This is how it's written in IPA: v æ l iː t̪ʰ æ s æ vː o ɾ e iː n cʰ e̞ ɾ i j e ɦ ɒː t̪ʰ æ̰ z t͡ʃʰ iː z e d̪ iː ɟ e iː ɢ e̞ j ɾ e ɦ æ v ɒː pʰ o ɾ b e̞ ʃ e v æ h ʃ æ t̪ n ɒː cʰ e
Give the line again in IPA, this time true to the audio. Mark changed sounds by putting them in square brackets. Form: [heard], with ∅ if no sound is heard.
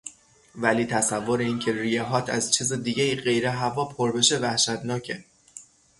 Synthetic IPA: v æ l iː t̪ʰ æ s æ vː o ɾ e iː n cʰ e̞ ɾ i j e ɦ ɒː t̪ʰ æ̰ z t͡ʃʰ iː z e d̪ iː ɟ e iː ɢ e̞ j ɾ e ɦ æ v ɒː pʰ o ɾ b e̞ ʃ e v æ h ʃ æ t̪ n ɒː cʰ e